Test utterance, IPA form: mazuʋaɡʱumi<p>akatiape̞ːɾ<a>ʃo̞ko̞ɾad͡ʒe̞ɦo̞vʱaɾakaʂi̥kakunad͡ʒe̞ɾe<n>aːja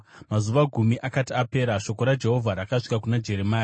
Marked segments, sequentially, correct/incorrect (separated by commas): incorrect, correct, incorrect